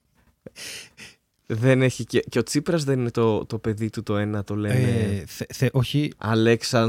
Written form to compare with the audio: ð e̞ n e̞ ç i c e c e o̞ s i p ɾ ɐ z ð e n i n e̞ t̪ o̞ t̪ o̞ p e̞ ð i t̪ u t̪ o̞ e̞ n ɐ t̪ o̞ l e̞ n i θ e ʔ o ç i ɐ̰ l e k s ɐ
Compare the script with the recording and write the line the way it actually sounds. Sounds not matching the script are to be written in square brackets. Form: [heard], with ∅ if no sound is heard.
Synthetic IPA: ð e̞ n e̞ ç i c e c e o̞ [t͡s] i p ɾ ɐ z ð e n i n e̞ t̪ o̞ t̪ o̞ p e̞ ð i t̪ u t̪ o̞ e̞ n ɐ t̪ o̞ l e̞ n [e] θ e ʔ o ç i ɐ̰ l e k s ɐ